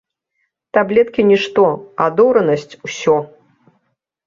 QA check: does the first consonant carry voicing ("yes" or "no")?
no